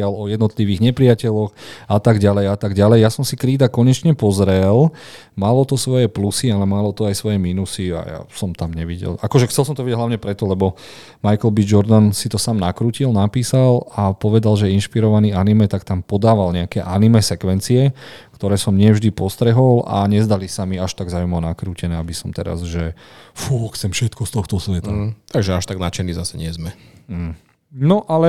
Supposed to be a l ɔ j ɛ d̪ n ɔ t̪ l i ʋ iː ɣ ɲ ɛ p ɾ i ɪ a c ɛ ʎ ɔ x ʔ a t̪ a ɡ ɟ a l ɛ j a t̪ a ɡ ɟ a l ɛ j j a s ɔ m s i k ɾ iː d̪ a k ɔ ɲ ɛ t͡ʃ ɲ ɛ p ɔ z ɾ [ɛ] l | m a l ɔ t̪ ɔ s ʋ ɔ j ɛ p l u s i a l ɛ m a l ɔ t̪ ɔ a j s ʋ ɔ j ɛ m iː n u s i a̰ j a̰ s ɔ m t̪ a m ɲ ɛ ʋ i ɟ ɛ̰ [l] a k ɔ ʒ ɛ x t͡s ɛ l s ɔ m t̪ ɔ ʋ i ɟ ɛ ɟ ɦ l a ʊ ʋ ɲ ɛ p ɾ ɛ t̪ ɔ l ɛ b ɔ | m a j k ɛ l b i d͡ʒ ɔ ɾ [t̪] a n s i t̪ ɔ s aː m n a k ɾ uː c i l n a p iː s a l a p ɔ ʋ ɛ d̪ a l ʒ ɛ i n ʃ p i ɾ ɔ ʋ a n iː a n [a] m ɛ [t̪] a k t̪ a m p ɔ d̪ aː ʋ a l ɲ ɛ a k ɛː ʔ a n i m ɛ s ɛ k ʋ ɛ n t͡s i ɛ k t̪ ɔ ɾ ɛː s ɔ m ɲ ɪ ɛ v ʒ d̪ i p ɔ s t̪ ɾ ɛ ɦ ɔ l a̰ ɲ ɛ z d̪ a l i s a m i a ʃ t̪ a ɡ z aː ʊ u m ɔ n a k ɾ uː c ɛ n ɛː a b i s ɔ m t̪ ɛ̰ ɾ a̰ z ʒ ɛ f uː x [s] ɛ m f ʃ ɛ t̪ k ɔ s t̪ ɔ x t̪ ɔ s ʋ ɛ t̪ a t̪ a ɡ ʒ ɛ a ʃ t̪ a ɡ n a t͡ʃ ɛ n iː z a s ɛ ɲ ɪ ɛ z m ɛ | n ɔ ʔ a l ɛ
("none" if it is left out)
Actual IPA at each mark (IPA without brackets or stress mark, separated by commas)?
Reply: ɛ, l, d̪, i, t̪, t͡s